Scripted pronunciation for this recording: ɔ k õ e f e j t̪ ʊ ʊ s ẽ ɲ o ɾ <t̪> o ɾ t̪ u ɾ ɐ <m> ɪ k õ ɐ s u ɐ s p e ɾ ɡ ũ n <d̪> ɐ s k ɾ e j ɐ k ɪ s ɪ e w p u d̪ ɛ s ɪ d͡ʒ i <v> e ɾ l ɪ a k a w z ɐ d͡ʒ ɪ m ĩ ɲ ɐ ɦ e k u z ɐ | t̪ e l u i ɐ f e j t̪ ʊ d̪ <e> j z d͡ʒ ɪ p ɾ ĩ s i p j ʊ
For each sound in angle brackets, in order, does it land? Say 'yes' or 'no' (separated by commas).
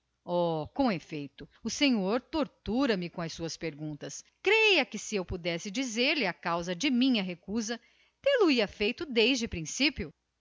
yes, yes, no, no, yes